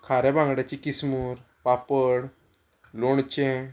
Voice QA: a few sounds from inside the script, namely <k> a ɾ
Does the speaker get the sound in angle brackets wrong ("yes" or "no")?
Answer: yes